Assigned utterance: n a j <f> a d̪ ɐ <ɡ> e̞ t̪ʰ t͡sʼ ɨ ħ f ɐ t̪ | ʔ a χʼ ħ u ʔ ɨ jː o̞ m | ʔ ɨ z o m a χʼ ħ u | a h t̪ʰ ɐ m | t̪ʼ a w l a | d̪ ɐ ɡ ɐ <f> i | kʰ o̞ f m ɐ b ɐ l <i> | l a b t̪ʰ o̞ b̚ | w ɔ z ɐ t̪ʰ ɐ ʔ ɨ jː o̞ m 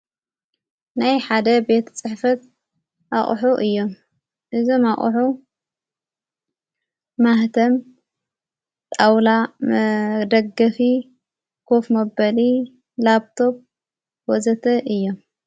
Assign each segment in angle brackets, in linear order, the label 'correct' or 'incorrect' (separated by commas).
incorrect, incorrect, correct, correct